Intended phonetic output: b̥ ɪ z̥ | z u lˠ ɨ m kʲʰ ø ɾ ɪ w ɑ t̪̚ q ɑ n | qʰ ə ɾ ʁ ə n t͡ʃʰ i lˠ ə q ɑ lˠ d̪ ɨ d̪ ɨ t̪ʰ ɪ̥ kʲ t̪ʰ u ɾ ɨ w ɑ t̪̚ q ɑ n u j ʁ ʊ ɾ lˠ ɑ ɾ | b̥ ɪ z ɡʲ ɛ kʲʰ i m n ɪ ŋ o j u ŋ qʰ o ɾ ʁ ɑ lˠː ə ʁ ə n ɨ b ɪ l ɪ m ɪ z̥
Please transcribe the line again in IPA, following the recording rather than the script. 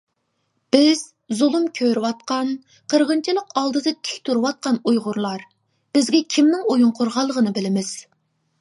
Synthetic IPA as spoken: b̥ ɪ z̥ | z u lˠ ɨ m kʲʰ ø ɾ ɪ w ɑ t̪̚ q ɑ n | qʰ ə ɾ ʁ ə n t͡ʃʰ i lˠ ə q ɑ lˠ d̪ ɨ d̪ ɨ t̪ʰ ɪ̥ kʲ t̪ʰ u ɾ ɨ w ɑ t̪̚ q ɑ n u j ʁ ʊ ɾ lˠ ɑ ɾ | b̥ ɪ z ɡʲ ɛ kʲʰ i m n ɪ ŋ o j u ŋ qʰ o ɾ ʁ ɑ lˠː ə ʁ ə n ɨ b ɪ l ɪ m ɪ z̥